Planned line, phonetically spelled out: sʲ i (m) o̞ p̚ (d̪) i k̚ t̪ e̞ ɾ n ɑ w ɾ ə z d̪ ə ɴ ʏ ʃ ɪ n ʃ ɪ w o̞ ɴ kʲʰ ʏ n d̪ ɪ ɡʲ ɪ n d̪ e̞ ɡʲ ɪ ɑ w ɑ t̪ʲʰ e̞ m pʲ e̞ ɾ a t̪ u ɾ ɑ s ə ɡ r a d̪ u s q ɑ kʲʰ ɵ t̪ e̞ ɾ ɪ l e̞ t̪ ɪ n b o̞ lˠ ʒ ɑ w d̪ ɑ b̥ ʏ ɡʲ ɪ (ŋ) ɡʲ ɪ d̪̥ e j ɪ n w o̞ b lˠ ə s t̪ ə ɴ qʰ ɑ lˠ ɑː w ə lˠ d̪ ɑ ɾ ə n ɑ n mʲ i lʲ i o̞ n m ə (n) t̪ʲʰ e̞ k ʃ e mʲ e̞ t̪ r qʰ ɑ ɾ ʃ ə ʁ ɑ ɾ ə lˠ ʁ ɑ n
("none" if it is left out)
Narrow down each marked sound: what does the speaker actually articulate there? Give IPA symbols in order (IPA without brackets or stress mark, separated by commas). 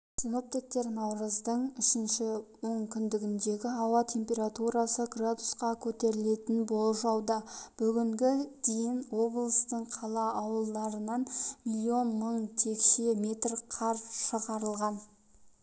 n, t̪, ŋ, ɴ